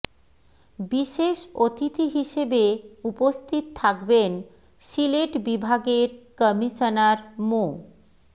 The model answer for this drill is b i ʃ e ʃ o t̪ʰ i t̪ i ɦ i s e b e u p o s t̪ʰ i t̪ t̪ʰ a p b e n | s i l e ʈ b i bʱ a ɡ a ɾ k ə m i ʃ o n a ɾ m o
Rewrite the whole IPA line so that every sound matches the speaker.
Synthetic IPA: b i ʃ e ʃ o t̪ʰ i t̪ i ɦ i ʃ e b e u p o s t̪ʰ i t̪ t̪ʰ a k b e n | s i l e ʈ b i bʱ a ɡ e ɾ k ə m i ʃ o n a ɾ m o